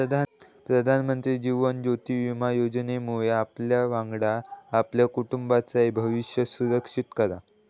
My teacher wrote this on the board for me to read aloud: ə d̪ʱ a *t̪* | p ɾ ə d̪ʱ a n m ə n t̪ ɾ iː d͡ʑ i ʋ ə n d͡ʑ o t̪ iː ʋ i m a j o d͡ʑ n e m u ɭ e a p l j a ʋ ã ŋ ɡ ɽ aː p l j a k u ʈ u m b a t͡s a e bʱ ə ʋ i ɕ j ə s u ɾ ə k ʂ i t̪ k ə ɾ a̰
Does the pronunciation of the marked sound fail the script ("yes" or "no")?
yes